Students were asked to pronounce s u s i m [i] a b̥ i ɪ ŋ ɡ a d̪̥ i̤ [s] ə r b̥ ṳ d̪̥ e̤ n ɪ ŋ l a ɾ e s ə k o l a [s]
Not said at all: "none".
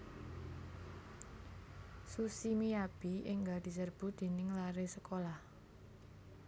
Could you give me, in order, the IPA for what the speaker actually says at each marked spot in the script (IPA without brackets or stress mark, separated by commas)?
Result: i, s, h